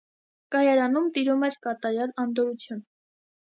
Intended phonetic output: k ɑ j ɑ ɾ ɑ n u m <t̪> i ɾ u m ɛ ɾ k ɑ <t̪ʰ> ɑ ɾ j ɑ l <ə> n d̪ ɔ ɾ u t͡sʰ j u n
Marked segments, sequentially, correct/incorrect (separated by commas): correct, incorrect, incorrect